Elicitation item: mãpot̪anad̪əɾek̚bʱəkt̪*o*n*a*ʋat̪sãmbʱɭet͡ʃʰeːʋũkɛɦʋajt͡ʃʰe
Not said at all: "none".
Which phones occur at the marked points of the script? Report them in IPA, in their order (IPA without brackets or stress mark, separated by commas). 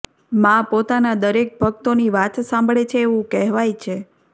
o, i